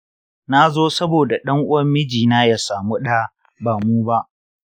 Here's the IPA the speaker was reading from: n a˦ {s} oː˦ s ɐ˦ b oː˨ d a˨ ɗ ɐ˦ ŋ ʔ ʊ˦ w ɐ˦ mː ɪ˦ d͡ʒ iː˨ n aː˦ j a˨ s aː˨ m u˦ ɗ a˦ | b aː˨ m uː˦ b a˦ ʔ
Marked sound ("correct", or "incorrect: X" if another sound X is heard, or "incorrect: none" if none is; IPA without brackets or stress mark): incorrect: z